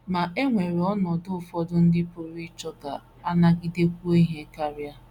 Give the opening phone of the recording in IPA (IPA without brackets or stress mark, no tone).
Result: m